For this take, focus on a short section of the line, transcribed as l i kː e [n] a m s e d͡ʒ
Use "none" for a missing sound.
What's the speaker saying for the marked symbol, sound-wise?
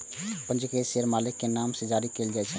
n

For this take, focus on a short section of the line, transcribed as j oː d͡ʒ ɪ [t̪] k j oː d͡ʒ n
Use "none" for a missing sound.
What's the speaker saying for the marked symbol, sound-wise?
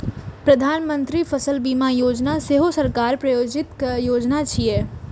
t̪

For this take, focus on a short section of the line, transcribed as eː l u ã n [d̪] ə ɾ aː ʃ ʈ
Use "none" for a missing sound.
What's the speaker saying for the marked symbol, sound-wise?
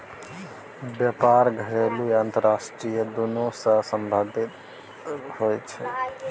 t̪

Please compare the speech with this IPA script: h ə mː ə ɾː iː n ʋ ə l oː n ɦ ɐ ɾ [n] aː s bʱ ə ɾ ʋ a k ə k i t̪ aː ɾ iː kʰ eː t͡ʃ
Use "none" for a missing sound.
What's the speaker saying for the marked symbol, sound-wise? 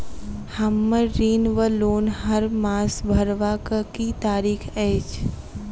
m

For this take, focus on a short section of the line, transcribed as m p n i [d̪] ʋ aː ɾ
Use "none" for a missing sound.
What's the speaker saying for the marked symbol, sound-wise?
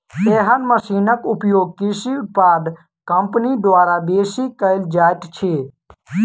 d̪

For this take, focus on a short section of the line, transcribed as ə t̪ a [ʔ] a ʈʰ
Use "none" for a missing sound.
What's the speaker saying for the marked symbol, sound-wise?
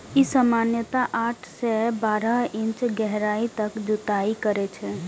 ʔ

